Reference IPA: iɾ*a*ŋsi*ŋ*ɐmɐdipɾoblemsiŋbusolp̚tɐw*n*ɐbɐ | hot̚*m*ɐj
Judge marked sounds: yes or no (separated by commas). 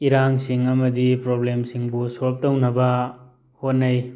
yes, yes, yes, no